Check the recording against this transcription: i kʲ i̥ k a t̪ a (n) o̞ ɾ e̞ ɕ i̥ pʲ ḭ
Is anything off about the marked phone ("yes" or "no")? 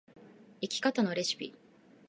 no